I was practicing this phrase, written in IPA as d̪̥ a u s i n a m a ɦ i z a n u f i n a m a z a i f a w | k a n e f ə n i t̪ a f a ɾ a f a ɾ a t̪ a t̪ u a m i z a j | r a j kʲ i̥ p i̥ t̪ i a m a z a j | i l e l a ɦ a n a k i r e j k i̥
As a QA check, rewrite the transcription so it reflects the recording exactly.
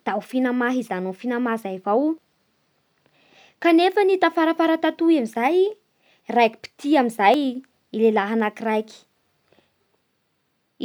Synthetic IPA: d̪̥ a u f i n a m a ɦ i z a n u f i n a m a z a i v a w | k a n e f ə n i t̪ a f a ɾ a f a ɾ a t̪ a t̪ u a m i z a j | r a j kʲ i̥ p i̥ t̪ i a m i z a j | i l e l a ɦ a n a k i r a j k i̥